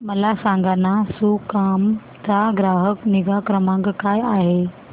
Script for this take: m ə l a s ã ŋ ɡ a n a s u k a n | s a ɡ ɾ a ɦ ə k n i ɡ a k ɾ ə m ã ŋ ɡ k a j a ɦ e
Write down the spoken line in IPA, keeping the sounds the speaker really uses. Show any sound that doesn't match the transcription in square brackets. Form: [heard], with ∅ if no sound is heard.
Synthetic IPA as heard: m ə l a s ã ŋ ɡ a n a s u k a [m] | [t͡s] a ɡ ɾ a ɦ ə k n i ɡ a k ɾ ə m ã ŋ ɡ k a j a ɦ e